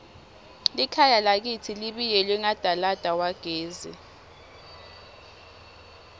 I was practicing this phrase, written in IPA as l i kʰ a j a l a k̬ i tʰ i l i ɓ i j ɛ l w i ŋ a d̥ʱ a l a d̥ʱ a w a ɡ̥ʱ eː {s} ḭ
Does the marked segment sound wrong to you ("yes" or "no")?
yes